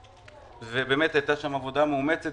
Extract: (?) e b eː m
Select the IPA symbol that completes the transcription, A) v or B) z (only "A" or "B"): A